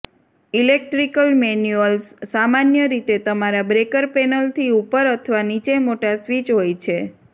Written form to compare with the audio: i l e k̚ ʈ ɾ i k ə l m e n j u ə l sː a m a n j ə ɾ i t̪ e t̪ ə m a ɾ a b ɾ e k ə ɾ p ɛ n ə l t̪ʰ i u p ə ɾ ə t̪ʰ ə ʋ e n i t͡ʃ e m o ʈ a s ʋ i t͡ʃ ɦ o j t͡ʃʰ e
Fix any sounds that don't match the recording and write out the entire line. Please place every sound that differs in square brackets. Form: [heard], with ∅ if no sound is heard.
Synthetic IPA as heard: i l e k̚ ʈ ɾ i k ə l m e n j u ə l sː a m a n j ə ɾ i t̪ e t̪ ə m a ɾ a b ɾ e k ə ɾ p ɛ n ə l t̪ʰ i u p ə ɾ ə t̪ʰ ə ʋ [a] n i t͡ʃ e m o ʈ a s ʋ i t͡ʃ ɦ o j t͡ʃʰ e